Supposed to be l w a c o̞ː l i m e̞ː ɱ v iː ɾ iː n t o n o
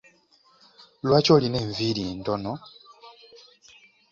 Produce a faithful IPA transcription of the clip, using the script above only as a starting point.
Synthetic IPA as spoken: l w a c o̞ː l i n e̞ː ɱ v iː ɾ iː n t o n o

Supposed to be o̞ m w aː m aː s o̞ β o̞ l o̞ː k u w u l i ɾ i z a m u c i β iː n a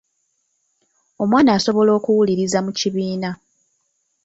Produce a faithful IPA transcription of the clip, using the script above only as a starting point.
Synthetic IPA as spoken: o̞ m w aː n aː s o̞ β o̞ l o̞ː k u w u l i ɾ i z a m u c i β iː n a

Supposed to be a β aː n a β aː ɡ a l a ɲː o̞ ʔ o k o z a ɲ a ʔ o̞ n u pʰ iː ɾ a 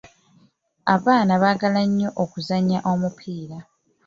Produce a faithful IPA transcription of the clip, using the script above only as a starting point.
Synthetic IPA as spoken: a β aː n a β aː ɡ a l a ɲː o̞ ʔ o k u z a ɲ a ʔ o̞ m u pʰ iː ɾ a

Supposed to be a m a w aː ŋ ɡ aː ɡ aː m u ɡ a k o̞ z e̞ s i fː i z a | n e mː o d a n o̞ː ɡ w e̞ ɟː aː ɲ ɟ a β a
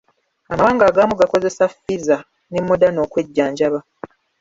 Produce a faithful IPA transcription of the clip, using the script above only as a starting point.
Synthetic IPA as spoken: a m a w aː ŋ ɡ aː ɡ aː m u ɡ a k o̞ z e̞ s a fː i z a | n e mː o d a n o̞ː k w e̞ ɟː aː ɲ ɟ a β a

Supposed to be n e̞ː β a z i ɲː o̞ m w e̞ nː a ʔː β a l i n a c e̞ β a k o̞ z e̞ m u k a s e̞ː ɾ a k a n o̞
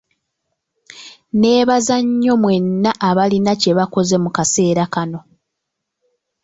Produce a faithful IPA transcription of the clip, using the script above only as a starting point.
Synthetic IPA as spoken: n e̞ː β a z a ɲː o̞ m w e̞ nː a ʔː β a l i n a c e̞ β a k o̞ z e̞ m u k a s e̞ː ɾ a k a n o̞

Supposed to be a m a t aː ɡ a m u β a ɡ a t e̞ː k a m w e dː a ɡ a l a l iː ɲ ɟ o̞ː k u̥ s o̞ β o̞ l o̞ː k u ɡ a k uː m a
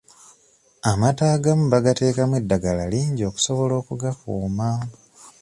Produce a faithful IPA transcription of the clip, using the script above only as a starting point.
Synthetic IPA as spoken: a m a t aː ɡ a m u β a ɡ a t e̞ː k a m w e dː a ɡ a l a l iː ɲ ɟ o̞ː k u̥ s o̞ β o̞ l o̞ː k u ɡ a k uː m a

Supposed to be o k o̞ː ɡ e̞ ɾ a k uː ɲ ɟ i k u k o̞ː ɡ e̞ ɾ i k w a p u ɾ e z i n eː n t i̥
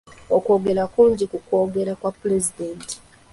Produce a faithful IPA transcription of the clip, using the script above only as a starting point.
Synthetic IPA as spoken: o k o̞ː ɡ e̞ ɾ a k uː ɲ ɟ i k u k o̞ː ɡ e̞ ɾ a k w a p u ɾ e z i d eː n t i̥

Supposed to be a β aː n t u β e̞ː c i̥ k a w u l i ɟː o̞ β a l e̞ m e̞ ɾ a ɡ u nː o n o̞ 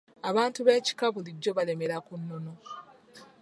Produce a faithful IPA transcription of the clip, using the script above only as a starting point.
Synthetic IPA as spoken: a β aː n t u β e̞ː c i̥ k a β u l i ɟː o̞ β a l e̞ m e̞ ɾ a k u nː o n o̞

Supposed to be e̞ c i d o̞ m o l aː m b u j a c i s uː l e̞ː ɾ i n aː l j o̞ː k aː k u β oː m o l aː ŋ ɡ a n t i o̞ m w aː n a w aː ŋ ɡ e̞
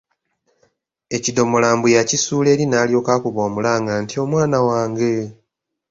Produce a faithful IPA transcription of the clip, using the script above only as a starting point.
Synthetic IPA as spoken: e̞ c i d o̞ m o l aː m b u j a c i s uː l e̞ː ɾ i n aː l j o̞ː k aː k u β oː m u l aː ŋ ɡ a n t i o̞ m w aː n a w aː ŋ ɡ e̞

